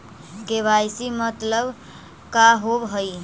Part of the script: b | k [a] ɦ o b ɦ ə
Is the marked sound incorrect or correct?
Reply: correct